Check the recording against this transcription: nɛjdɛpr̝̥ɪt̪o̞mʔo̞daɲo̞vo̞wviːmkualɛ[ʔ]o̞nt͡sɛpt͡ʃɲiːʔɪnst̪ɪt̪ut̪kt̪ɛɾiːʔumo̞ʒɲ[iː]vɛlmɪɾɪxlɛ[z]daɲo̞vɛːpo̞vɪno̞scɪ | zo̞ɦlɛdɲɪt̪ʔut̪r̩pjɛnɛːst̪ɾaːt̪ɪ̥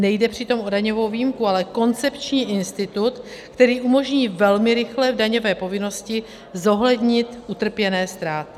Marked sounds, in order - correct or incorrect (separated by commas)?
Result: incorrect, correct, incorrect